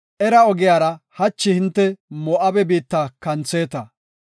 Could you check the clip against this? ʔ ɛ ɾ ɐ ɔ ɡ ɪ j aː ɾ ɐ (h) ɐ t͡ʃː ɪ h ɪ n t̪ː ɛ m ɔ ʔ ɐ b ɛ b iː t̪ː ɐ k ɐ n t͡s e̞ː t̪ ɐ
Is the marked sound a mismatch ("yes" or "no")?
no